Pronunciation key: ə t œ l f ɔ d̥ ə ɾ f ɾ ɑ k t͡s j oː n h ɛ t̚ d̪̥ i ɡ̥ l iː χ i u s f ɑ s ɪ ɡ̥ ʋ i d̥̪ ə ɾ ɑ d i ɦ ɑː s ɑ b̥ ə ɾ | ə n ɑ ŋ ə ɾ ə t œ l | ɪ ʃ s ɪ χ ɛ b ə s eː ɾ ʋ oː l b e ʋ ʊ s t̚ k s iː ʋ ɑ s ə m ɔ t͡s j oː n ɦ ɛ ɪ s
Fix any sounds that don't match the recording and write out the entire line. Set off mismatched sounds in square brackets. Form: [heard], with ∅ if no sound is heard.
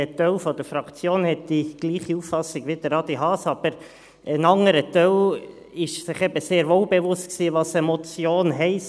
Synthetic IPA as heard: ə t œ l f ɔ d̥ ə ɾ f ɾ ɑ k t͡s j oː n h ɛ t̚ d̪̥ i ɡ̥ l iː χ i u [f] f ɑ s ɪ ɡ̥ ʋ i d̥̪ ə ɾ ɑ d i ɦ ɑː s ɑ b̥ ə ɾ | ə n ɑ ŋ ə ɾ ə t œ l | ɪ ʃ s ɪ χ ɛ b ə s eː ɾ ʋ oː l b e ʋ ʊ s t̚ k s iː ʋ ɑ s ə m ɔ t͡s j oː n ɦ ɛ ɪ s

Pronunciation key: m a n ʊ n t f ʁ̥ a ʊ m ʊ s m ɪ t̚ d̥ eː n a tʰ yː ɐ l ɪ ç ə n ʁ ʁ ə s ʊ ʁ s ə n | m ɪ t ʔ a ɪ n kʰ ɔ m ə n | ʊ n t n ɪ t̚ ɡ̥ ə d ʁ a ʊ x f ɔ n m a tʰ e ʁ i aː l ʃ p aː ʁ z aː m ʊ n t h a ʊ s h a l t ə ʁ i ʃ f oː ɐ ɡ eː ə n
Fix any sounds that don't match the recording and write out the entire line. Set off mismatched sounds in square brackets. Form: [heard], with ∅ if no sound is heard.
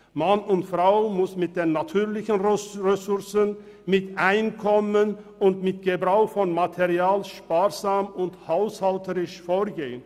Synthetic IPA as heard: m a n ʊ n t f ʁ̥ a ʊ m ʊ s m ɪ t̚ d̥ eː n a tʰ yː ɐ l ɪ ç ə n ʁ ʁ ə s ʊ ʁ s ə n | m ɪ t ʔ a ɪ n kʰ ɔ m ə n | ʊ n t [m] ɪ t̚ ɡ̥ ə [b] ʁ a ʊ x f ɔ n m a tʰ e ʁ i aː l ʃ p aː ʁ z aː m ʊ n t h a ʊ s h a l t ə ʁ [ɪ] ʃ f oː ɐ ɡ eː ə n

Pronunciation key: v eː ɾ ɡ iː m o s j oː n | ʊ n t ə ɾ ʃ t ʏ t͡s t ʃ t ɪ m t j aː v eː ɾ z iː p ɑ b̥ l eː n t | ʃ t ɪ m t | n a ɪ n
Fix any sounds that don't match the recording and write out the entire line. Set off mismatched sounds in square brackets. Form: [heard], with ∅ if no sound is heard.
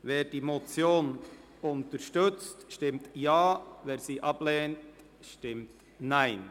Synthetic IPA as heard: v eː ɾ [d] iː m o [t͡s] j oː n | ʊ n t ə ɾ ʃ t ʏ t͡s t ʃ t ɪ m t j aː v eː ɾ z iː [ʔ] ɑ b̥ l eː n t | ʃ t ɪ m t | n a ɪ n

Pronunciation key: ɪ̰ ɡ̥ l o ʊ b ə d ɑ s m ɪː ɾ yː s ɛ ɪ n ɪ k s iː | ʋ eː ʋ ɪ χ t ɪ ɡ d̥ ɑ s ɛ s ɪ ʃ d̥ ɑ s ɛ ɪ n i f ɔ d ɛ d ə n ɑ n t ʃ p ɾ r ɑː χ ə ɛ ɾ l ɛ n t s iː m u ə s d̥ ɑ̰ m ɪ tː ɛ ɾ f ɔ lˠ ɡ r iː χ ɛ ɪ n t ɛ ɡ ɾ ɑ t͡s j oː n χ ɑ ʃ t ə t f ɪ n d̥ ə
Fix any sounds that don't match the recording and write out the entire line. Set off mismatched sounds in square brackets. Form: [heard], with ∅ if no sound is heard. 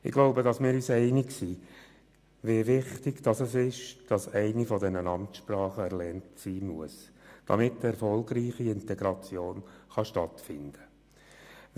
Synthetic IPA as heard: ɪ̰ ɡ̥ l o ʊ b ə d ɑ s m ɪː ɾ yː s ɛ ɪ n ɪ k s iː | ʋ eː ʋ ɪ χ t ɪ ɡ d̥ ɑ s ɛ s ɪ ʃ d̥ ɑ s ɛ ɪ n i f ɔ d ɛ [n] ə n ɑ [m] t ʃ p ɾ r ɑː χ ə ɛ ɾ l ɛ n t s iː m u ə s d̥ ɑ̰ m ɪ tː ɛ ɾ f ɔ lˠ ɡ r iː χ [i] ɪ n t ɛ ɡ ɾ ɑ t͡s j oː n χ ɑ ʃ t [ɑ] t f ɪ n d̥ ə

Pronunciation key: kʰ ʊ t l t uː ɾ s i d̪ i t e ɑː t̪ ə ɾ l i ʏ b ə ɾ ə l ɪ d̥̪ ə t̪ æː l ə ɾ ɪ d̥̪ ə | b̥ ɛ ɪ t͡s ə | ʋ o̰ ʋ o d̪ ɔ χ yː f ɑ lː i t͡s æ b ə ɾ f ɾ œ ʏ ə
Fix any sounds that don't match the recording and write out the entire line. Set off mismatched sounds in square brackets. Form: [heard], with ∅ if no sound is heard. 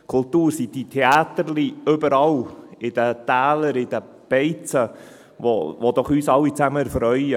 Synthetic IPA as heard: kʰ ʊ [∅] l t uː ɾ s i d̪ i [tʰ] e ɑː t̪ ə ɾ l i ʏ b ə ɾ [ɑ] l ɪ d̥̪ ə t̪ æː l ə ɾ ɪ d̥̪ ə | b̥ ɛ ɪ t͡s ə | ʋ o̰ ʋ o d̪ ɔ χ yː [s] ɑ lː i t͡s æ [m] ə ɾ f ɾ œ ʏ ə

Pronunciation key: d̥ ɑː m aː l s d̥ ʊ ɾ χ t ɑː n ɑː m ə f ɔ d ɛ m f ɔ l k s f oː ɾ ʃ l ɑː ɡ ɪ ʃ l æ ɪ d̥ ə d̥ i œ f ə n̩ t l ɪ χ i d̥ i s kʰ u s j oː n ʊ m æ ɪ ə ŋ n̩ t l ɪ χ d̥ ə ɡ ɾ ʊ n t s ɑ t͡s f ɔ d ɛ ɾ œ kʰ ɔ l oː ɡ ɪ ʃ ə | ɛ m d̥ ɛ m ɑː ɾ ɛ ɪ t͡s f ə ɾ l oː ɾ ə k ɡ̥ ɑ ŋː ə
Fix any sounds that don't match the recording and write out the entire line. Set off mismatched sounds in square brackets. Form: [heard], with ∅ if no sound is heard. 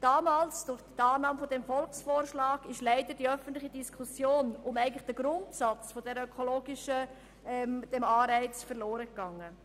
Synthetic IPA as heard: d̥ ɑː m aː l s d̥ ʊ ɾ χ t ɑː n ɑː m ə f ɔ d ɛ m f ɔ l k s f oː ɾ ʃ l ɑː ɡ ɪ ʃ l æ ɪ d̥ ə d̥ i œ f ə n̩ t l ɪ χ i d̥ i s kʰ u s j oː n ʊ m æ ɪ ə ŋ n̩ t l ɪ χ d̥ ə ɡ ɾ ʊ n t s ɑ t͡s f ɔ d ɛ ɾ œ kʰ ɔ l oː ɡ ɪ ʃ ə | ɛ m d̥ ɛ m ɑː ɾ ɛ ɪ t͡s f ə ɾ l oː ɾ ə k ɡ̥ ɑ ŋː ə

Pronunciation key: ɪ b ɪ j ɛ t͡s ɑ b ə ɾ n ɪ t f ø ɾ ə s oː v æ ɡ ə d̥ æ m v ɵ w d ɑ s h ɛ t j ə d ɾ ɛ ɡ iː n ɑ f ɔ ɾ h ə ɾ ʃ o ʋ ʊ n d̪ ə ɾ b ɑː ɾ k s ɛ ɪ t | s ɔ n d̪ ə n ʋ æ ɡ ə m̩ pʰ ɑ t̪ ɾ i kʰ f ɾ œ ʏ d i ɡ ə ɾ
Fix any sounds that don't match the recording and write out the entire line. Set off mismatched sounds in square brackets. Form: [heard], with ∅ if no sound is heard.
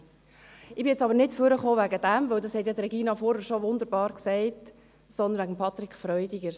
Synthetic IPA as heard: ɪ b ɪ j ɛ t͡s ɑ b ə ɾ n ɪ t f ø ɾ ə [χ] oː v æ ɡ ə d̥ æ m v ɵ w d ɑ s h ɛ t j [ɑ] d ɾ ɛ ɡ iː n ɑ f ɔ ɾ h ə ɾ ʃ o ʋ ʊ n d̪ ə ɾ b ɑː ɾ k s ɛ ɪ t | s ɔ n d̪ ə n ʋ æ ɡ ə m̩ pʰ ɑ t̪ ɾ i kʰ f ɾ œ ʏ d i ɡ ə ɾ

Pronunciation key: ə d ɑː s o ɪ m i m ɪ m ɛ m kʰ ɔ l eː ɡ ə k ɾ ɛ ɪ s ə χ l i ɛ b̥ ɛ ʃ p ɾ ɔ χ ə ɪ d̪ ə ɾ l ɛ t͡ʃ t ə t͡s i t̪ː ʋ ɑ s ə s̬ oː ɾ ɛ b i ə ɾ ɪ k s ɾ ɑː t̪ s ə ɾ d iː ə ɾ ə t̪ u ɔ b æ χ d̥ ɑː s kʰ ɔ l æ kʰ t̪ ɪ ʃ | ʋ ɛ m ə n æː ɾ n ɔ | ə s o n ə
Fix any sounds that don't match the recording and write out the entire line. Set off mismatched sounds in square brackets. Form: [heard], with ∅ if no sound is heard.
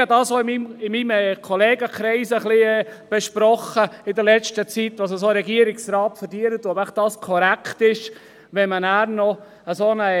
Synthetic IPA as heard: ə d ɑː s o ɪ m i m ɪ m [i] m kʰ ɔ l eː ɡ ə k ɾ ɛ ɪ s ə χ l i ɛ b̥ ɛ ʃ p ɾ ɔ χ ə ɪ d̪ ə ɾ l ɛ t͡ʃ t ə t͡s i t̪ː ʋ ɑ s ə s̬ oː ɾ ɛ [ɡ] i ə ɾ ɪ k s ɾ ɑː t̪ [f] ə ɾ d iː ə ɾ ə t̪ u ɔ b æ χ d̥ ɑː s kʰ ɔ [ɾ] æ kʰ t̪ ɪ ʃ | ʋ ɛ m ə n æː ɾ n ɔ | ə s o n ə

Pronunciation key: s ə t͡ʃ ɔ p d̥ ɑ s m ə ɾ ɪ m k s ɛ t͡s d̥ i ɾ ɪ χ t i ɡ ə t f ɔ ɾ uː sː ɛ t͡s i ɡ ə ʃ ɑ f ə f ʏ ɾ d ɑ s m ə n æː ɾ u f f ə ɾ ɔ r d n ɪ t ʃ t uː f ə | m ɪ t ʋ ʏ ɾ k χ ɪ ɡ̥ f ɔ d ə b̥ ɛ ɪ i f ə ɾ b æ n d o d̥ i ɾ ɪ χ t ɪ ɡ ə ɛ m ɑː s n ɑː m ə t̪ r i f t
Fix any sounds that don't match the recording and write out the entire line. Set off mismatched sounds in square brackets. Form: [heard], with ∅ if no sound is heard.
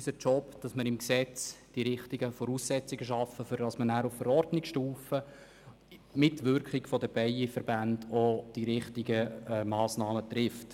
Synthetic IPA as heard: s ə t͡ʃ ɔ p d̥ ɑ s m ə ɾ ɪ m k s ɛ t͡s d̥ i ɾ ɪ χ t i ɡ ə [∅] f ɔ ɾ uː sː ɛ t͡s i ɡ ə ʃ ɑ f ə f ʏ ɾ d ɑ s m ə n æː ɾ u f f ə ɾ ɔ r d n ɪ [k] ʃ t uː f ə | m ɪ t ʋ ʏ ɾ k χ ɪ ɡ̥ f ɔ d ə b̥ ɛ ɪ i f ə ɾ b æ n d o d̥ i ɾ ɪ χ t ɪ ɡ ə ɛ m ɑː s n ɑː m ə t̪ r [ɪ] f t

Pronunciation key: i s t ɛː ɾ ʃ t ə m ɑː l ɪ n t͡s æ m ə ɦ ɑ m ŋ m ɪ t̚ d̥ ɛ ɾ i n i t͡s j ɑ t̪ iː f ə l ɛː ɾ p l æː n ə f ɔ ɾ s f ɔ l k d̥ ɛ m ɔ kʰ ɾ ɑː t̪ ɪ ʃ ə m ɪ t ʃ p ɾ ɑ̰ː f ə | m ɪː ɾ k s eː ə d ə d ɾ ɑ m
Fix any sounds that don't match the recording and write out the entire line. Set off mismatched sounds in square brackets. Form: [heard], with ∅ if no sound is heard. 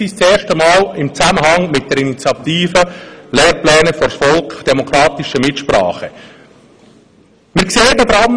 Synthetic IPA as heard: i s [t͡s] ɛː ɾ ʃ t ə m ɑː l ɪ [m] t͡s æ m ə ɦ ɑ [∅] ŋ m ɪ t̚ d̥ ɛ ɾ i n i t͡s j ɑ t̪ iː f ə l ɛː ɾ p l [ɛː] n ə f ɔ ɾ s f ɔ l k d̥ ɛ m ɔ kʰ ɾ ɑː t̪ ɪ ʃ ə m ɪ t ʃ p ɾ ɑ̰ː [χ] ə | m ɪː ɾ k s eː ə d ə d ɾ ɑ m

